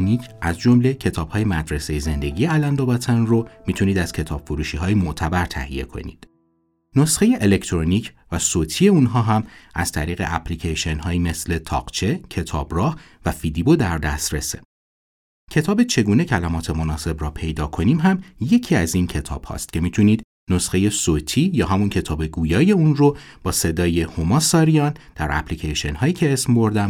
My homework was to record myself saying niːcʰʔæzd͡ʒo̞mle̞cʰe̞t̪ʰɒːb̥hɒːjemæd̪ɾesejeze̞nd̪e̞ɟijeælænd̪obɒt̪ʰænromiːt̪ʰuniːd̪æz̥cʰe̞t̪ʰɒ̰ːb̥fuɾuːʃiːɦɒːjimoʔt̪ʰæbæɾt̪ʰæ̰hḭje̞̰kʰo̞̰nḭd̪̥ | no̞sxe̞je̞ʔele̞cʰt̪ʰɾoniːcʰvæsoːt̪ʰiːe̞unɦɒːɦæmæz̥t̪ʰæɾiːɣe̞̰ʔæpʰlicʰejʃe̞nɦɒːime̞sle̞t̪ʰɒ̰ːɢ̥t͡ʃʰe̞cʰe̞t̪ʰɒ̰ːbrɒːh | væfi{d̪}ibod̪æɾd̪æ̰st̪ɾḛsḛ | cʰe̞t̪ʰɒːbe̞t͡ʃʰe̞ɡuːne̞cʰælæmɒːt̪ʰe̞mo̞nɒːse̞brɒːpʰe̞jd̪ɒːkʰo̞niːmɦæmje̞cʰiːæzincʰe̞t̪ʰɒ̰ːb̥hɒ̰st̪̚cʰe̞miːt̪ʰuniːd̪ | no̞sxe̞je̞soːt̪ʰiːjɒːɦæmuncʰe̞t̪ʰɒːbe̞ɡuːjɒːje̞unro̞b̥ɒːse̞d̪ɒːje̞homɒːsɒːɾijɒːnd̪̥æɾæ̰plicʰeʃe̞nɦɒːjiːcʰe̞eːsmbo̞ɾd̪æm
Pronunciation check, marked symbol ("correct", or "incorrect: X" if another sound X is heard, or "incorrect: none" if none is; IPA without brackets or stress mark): correct